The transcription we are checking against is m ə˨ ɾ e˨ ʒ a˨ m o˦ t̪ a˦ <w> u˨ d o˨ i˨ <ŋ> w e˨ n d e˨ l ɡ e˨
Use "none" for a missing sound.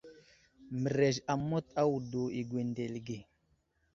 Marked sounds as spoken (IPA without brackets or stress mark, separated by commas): w, ɡ